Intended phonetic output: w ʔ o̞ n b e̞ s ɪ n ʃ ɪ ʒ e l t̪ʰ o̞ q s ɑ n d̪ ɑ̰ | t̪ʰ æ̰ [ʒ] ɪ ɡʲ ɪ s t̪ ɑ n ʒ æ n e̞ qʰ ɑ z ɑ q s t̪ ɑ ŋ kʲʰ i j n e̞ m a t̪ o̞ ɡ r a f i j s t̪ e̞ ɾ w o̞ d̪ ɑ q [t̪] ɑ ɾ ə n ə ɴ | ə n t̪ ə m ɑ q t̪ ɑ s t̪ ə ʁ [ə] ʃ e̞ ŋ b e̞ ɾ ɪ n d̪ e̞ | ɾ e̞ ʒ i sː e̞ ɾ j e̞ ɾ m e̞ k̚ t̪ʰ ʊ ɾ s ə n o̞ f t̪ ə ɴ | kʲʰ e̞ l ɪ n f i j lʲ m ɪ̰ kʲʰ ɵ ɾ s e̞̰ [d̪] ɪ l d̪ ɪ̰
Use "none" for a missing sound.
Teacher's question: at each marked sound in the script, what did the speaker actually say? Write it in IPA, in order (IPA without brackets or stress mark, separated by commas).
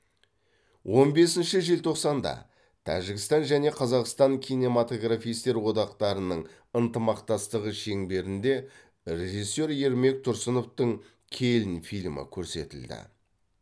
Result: ʒ, t̪, ə, t̪